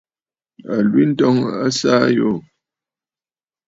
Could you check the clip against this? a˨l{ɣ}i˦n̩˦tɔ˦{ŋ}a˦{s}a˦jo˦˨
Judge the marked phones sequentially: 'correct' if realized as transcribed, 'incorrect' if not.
incorrect, correct, correct

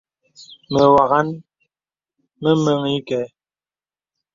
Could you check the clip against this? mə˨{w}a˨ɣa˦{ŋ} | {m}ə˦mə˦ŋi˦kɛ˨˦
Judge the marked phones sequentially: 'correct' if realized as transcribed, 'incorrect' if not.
correct, incorrect, correct

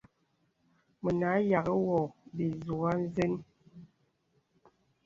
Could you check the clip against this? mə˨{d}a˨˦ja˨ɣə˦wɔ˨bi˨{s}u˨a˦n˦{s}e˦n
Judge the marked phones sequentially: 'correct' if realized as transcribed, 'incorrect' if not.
incorrect, incorrect, incorrect

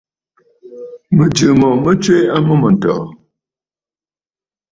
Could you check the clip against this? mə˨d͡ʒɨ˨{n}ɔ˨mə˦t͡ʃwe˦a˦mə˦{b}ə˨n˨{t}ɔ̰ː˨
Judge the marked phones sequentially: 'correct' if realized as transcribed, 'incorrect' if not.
incorrect, incorrect, correct

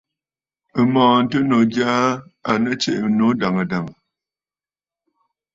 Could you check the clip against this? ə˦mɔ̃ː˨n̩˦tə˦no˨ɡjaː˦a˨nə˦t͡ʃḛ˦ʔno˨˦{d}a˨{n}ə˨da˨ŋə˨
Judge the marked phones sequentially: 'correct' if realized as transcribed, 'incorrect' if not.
correct, incorrect

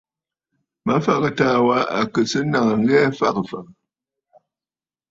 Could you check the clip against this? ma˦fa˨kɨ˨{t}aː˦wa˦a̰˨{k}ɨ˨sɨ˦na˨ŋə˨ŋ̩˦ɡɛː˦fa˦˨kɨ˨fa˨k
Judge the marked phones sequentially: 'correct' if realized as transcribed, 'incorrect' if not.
correct, correct

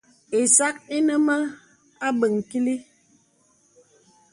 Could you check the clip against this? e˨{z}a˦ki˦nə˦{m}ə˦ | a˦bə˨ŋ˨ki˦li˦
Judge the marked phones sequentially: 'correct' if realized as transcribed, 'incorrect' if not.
incorrect, correct

